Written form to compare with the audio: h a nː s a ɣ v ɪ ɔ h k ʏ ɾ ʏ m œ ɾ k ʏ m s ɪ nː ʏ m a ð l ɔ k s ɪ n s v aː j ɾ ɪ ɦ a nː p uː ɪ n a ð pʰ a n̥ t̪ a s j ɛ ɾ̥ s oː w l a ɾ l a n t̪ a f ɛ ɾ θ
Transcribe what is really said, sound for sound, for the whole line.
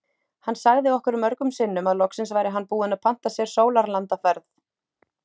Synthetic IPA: h a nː s a ɣ ð ɪ ɔ h k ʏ ɾ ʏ m œ ɾ k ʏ m s ɪ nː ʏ m a ð l ɔ k s ɪ n s v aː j ɾ ɪ ɦ a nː p uː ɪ n a ð pʰ a n̥ t̪ a s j ɛ ɾ̥ s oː w l a ɾ l a n t̪ a f ɛ ɾ θ